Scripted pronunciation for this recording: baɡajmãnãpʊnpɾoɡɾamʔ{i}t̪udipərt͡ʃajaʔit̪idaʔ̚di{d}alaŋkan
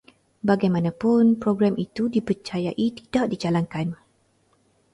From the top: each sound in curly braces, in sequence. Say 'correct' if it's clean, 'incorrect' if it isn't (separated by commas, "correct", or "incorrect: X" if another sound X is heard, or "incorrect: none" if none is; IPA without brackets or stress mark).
correct, incorrect: d͡ʒ